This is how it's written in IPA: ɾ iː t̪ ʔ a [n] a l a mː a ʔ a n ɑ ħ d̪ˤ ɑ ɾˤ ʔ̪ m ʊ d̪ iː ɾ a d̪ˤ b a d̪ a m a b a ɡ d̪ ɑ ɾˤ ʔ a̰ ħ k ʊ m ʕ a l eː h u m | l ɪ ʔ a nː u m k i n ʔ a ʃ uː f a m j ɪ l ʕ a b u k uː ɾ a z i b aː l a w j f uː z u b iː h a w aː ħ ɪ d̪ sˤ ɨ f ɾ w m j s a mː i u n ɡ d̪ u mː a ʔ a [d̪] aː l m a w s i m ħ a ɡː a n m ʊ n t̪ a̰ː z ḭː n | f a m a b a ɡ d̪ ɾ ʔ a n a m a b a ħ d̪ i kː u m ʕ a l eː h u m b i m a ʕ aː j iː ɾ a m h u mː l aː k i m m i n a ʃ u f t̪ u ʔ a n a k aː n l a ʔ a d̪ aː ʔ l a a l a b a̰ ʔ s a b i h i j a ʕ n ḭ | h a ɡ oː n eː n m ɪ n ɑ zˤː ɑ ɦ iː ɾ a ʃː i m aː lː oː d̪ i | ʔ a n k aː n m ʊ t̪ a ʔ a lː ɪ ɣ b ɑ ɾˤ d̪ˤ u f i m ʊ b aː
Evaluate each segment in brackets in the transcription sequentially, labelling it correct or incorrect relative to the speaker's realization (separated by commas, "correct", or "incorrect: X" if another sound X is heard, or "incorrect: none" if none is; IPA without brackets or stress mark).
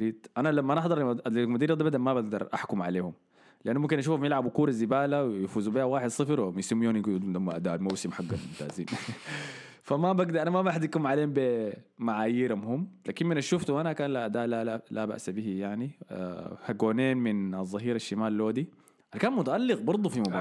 correct, correct